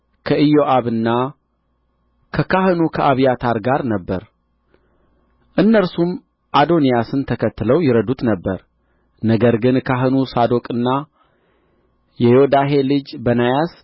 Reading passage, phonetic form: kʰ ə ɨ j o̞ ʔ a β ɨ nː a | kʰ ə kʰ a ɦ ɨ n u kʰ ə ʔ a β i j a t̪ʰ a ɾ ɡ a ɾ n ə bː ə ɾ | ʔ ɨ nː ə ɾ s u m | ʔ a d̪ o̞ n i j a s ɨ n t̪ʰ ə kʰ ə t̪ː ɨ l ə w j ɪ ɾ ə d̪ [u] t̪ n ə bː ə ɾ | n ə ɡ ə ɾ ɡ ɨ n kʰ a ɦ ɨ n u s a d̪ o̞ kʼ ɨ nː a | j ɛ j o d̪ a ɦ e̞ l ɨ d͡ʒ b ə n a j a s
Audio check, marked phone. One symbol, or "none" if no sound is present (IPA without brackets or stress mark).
u